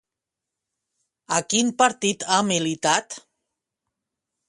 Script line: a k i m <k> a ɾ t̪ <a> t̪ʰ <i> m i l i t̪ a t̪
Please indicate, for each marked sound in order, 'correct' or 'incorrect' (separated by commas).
incorrect, incorrect, incorrect